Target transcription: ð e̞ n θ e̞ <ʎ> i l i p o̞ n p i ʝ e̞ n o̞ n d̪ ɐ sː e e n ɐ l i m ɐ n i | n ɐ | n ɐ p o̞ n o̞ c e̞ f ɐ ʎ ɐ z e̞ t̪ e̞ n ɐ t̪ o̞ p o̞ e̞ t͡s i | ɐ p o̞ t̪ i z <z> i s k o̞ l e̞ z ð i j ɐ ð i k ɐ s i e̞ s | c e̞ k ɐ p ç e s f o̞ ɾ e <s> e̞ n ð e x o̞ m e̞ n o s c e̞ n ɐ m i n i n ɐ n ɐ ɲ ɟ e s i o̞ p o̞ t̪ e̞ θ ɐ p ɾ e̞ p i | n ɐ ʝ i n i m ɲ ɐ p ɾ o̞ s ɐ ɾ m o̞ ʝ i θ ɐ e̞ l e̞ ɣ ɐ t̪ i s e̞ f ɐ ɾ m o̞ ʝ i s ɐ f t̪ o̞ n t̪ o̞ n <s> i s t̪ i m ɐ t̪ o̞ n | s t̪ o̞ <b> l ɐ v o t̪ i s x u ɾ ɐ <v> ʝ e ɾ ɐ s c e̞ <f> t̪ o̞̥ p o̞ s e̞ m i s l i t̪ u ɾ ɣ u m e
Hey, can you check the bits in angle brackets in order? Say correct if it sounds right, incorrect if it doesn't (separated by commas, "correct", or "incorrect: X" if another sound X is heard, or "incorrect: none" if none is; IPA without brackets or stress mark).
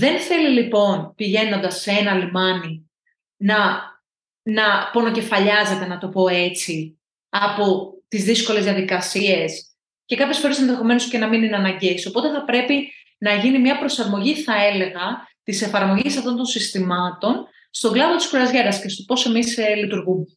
incorrect: l, incorrect: ð, correct, correct, incorrect: ɡ, incorrect: z, incorrect: s